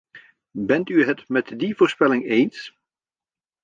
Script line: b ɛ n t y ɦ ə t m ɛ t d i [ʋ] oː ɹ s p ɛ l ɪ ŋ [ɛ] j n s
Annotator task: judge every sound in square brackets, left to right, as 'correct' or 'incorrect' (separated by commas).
incorrect, incorrect